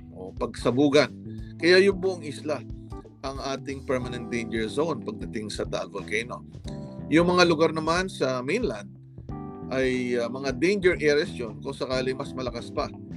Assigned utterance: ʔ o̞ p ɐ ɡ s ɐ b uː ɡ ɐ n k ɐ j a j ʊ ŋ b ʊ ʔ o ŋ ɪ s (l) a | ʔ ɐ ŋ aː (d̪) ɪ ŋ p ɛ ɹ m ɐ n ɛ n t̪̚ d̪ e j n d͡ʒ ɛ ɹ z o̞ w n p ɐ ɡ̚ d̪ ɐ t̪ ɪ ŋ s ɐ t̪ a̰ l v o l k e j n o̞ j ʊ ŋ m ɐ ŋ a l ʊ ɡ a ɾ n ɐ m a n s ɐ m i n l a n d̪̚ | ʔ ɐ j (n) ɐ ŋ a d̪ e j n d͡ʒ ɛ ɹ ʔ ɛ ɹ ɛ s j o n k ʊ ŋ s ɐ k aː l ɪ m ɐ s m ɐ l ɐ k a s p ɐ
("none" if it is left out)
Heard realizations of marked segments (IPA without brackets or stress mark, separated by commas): l, t̪, m